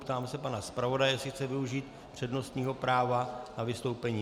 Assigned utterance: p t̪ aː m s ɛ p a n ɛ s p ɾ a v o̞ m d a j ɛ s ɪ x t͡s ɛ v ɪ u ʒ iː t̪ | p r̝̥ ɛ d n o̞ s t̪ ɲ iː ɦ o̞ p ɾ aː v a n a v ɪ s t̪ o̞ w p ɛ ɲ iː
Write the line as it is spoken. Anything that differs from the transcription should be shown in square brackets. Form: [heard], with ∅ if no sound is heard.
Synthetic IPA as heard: p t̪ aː m s ɛ p a n [a] s p ɾ a v o̞ [∅] d a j ɛ s ɪ x t͡s ɛ v ɪ u ʒ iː t̪ | p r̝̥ ɛ d n o̞ s t̪ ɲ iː ɦ o̞ p ɾ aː v a n a v ɪ s t̪ o̞ w p ɛ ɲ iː